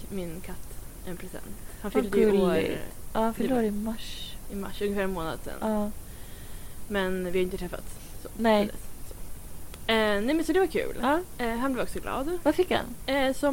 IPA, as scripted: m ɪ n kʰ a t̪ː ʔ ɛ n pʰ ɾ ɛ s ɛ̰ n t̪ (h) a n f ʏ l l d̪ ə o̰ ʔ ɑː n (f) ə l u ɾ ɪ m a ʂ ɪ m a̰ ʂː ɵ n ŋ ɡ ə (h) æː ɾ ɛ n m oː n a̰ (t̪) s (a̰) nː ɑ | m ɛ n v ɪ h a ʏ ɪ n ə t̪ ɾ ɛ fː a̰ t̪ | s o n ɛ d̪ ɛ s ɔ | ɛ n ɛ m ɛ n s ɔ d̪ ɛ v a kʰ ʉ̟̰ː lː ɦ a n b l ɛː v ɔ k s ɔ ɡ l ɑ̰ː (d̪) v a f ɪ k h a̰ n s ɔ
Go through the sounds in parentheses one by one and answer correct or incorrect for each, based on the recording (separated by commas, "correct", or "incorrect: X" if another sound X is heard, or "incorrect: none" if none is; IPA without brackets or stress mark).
correct, correct, incorrect: f, incorrect: d̪, incorrect: ɛ̰, correct